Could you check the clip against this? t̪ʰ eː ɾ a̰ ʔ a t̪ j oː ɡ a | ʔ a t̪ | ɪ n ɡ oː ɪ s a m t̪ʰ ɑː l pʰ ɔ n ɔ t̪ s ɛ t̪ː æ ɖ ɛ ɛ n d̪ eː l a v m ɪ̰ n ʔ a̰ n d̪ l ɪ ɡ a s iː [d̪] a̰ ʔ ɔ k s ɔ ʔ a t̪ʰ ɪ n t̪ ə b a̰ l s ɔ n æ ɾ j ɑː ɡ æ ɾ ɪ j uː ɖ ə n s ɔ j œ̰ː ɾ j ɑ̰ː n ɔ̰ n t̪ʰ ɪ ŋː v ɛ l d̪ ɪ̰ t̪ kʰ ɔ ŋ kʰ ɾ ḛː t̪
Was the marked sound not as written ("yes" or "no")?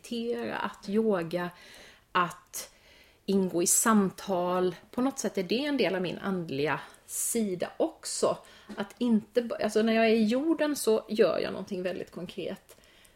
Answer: no